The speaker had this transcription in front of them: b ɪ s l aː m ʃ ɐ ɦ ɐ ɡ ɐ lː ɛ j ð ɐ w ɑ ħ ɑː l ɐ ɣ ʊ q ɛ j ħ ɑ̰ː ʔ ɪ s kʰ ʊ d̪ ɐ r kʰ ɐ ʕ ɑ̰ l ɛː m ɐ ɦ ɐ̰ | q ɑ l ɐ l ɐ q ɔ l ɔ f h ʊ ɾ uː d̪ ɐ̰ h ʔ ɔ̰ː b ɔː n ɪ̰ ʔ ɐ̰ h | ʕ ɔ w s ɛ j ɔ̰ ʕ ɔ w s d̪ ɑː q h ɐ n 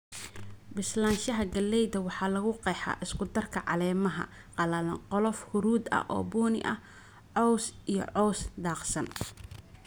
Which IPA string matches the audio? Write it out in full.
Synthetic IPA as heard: b ɪ s l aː n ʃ ɐ ɦ ɐ ɡ ɐ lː ɛ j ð ɐ w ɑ ħ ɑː l ɐ ɣ ʊ q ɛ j ħ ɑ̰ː ʔ ɪ s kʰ ʊ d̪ ɐ r kʰ ɐ ʕ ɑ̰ l ɛː m ɐ ɦ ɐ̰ | q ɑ l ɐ l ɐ q ɔ l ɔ f h ʊ ɾ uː d̪ ɐ̰ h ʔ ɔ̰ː b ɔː n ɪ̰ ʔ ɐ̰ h | ʕ ɔ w s i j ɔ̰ ʕ ɔ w s d̪ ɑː q s ɐ n

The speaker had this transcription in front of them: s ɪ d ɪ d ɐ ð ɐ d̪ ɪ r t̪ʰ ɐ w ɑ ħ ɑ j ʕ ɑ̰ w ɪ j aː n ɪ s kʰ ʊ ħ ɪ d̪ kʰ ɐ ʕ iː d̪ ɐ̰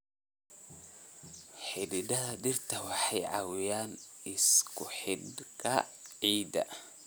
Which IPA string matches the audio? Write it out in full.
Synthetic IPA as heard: ħ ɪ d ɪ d ɐ ð ɐ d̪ ɪ r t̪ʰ ɐ w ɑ ħ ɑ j ʕ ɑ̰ w ɪ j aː n ɪ s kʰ ʊ ħ ɪ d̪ kʰ ɐ ʕ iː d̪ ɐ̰

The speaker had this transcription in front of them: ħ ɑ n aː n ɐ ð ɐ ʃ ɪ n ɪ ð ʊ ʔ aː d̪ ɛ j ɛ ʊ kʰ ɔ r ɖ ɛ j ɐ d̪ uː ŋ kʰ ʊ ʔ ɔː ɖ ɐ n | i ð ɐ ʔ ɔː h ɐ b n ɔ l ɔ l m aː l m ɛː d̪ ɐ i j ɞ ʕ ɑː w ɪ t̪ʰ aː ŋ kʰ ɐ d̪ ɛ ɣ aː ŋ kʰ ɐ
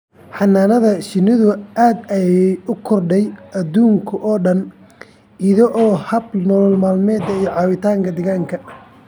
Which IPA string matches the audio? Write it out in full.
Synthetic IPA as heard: ħ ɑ n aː n ɐ ð ɐ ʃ ɪ n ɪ ð ʊ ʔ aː d̪ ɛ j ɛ ʊ kʰ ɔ r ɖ ɛ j ɐ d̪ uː ŋ kʰ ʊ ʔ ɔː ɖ ɐ n | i ð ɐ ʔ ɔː h ɐ b n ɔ l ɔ l m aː l m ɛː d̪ ɐ i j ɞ ʕ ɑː w ɪ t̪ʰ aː ŋ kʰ ɐ d̪ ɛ ɣ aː ŋ kʰ ɐ

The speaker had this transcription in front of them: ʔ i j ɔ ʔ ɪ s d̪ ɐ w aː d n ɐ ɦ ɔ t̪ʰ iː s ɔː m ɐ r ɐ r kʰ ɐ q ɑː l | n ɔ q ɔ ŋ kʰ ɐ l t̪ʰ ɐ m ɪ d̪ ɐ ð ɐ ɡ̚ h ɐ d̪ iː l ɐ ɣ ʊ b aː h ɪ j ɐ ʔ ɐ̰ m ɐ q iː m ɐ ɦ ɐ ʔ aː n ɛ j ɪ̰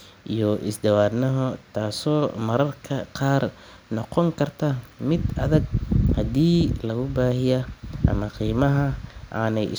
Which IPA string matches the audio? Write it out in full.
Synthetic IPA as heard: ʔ i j ɔ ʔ ɪ s d̪ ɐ w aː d n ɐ ɦ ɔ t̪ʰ aː s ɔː m ɐ ɾ ɐ r kʰ ɐ q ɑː r | n ɔ q ɔ ŋ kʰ ɐ r t̪ʰ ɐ m ɪ d̪ ɐ ð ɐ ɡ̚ h ɐ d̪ iː l ɐ ɣ ʊ b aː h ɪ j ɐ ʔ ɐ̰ m ɐ q iː m ɐ ɦ ɐ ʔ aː n ɛ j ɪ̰

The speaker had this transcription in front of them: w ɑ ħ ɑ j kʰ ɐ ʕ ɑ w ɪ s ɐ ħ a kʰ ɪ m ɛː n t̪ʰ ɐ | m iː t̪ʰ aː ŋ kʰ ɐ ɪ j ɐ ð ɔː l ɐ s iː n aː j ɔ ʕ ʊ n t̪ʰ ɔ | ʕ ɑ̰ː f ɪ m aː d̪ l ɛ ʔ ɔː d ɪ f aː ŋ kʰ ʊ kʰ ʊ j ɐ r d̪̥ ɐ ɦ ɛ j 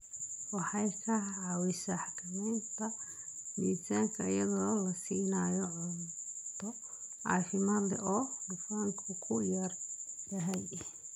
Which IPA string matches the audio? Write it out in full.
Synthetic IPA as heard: w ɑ ħ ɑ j kʰ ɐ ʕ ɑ w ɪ s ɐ ħ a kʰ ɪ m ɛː n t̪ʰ ɐ | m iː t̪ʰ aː ŋ kʰ ɐ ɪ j ɐ ð ɔː l ɐ s iː n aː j ɔ ʕ ʊ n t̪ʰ ɔ | ʕ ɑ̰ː f ɪ m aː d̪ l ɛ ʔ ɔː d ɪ f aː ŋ kʰ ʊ kʰ ʊ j ɐ r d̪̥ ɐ ɦ ɛ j

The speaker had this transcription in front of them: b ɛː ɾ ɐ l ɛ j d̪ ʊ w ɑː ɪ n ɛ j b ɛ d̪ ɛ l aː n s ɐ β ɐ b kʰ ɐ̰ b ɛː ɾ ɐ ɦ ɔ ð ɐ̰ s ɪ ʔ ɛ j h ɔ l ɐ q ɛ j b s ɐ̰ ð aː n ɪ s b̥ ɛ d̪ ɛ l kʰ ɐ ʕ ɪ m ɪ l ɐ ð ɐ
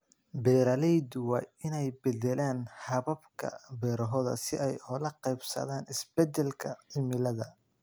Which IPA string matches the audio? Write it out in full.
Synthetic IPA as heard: b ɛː ɾ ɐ l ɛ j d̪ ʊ w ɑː ɪ n ɛ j b ɛ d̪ ɛ l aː n h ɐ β ɐ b kʰ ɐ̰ b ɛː ɾ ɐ ɦ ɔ ð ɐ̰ s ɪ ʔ ɛ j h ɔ l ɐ q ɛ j b s ɐ̰ ð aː n ɪ s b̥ ɛ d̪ ɛ l kʰ ɐ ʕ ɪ m ɪ l ɐ ð ɐ

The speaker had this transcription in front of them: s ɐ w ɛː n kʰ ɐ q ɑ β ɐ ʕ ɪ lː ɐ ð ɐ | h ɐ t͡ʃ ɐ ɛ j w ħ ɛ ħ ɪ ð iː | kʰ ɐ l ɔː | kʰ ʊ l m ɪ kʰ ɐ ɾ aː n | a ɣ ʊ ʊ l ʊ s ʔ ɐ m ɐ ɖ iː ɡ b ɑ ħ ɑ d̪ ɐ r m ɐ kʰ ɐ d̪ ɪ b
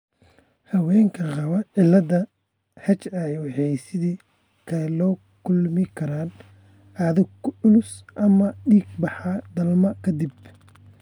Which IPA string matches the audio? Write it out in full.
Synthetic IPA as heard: h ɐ w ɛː ŋ kʰ ɐ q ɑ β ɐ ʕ ɪ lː ɐ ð ɐ | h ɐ t͡ʃ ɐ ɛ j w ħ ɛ s ɪ ð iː | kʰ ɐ l ɔː | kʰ ʊ l m ɪ kʰ ɐ ɾ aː n | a ð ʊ ʊ l ʊ s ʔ ɐ m ɐ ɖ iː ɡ b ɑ ħ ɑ d̪ ɐ l m ɐ kʰ ɐ d̪ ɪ b

